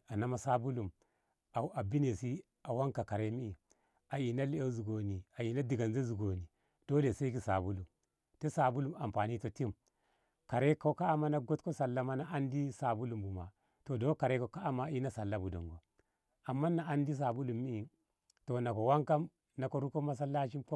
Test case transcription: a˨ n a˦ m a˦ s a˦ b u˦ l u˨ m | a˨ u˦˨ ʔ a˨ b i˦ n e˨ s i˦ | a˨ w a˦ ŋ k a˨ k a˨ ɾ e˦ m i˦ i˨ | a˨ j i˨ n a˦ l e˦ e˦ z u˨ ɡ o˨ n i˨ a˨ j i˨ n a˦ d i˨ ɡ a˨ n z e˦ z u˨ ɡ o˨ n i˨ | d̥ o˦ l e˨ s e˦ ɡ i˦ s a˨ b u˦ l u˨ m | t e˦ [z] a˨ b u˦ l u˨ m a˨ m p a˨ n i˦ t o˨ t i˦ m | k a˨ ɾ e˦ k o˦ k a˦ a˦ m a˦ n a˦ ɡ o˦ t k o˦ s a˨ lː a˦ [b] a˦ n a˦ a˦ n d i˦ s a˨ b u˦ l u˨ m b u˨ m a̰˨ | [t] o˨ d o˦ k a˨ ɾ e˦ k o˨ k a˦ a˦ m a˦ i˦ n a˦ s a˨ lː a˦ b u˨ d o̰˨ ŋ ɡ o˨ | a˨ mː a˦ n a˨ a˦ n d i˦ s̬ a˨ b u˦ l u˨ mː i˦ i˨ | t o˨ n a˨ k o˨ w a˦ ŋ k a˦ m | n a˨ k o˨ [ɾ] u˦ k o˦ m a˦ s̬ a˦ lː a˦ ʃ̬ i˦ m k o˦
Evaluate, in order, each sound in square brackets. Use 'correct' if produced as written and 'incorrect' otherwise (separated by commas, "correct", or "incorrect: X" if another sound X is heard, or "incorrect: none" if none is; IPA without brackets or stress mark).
incorrect: s, incorrect: m, correct, correct